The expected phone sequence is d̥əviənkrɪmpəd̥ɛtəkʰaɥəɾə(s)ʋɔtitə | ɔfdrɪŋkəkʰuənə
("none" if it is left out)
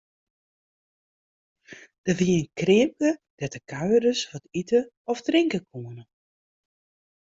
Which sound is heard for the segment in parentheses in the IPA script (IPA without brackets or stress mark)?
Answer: s